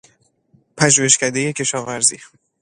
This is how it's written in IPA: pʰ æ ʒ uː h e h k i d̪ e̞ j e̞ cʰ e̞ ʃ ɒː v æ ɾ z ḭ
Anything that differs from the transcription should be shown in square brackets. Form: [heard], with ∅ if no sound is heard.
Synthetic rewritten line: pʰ æ ʒ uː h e [ʃ] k [æ] d̪ e̞ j e̞ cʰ e̞ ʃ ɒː v æ ɾ z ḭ

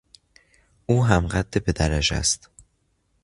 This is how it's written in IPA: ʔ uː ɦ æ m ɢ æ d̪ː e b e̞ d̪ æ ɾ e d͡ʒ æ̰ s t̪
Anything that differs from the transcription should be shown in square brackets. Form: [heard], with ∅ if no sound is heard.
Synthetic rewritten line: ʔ uː ɦ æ m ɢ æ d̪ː e b e̞ d̪ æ ɾ [æ] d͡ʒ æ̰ s t̪

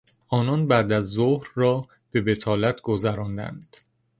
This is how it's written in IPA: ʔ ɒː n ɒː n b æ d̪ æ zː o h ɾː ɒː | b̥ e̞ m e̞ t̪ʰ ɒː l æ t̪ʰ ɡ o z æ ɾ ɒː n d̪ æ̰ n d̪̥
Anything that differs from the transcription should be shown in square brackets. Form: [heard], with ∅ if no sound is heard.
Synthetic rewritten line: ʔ ɒː n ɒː n b æ d̪ æ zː o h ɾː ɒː | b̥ e̞ [b] e̞ t̪ʰ ɒː l æ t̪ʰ ɡ o z æ ɾ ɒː n d̪ æ̰ n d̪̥

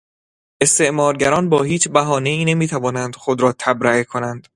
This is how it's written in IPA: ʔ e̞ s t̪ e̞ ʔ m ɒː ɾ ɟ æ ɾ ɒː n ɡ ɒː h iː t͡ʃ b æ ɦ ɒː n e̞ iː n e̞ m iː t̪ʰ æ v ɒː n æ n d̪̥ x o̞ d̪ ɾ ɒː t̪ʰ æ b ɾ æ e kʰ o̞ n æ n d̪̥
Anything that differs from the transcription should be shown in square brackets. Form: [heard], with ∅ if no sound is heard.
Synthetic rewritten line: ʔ e̞ s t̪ e̞ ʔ m ɒː ɾ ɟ æ ɾ ɒː n [b] ɒː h iː t͡ʃ b æ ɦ ɒː n e̞ iː n e̞ m iː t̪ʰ æ v ɒː n æ n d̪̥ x o̞ d̪ ɾ ɒː t̪ʰ æ b ɾ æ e kʰ o̞ n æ n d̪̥

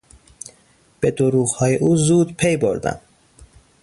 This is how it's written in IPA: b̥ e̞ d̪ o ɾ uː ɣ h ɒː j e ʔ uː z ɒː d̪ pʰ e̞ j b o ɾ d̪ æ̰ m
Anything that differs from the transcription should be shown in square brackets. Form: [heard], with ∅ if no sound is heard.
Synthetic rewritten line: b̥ e̞ d̪ o ɾ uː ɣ h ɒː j e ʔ uː z [uː] d̪ pʰ e̞ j b o ɾ d̪ æ̰ m

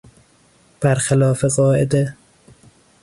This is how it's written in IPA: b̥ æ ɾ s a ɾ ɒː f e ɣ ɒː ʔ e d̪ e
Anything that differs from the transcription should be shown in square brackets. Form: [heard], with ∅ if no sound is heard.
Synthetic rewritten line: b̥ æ ɾ [x] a [l] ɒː f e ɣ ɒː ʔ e d̪ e

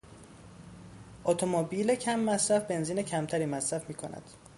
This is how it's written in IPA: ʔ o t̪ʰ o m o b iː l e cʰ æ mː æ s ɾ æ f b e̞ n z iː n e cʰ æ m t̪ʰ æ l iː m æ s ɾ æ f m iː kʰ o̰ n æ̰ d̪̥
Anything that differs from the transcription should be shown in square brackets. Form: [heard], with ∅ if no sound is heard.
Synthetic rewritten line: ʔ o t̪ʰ o m o b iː l e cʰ æ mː æ s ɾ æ f b e̞ n z iː n e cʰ æ m t̪ʰ æ [ɾ] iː m æ s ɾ æ f m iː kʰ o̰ n æ̰ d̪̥

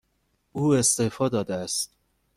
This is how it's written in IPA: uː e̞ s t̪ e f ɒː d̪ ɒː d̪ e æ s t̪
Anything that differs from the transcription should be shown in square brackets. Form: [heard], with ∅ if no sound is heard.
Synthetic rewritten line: uː e̞ s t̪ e f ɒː d̪ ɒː d̪ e æ s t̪

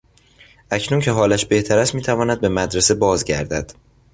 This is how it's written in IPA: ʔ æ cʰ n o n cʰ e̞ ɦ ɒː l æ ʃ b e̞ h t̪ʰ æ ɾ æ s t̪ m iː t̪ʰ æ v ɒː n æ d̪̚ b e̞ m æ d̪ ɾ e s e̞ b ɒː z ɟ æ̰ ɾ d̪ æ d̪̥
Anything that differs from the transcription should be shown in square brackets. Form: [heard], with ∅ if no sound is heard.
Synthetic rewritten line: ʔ æ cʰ n [u] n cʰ e̞ ɦ ɒː l æ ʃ b e̞ h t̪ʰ æ ɾ æ s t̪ m iː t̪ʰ æ v ɒː n æ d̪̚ b e̞ m æ d̪ ɾ e s e̞ b ɒː z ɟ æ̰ ɾ d̪ æ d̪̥

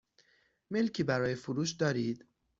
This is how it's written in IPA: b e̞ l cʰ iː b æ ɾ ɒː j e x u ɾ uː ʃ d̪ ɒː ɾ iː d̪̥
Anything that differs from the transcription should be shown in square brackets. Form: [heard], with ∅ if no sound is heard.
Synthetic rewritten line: [m] e̞ l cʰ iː b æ ɾ ɒː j e [f] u ɾ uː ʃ d̪ ɒː ɾ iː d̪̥

